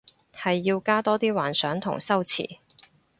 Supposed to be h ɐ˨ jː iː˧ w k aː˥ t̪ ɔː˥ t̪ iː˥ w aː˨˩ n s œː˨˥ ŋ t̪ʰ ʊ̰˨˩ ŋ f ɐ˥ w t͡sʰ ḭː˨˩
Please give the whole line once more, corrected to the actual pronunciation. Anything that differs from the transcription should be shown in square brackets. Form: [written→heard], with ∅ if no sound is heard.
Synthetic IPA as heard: h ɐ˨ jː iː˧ w k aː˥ t̪ ɔː˥ t̪ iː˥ w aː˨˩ n s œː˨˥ ŋ t̪ʰ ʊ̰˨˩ ŋ [f→s] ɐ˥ w t͡sʰ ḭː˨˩